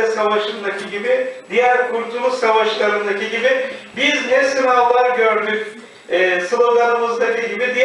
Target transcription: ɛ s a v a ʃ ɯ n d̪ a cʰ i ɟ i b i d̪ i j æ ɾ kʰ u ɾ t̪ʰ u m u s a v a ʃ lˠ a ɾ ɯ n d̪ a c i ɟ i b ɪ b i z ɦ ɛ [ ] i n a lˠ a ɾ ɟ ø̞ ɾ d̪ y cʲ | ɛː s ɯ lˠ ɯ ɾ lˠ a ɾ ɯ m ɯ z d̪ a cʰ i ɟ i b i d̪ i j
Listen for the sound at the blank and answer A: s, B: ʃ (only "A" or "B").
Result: A